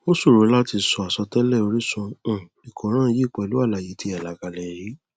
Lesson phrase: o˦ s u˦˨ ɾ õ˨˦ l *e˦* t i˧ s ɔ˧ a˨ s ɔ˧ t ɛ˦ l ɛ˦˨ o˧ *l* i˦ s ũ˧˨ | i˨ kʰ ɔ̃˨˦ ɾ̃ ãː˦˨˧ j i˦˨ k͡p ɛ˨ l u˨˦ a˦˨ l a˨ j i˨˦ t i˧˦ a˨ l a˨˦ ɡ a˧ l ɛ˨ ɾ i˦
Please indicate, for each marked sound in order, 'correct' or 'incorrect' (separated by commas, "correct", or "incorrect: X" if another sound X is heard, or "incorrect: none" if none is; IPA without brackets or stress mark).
incorrect: a˦, incorrect: ɾ